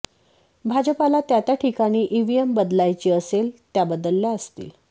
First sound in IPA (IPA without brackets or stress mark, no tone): bʱ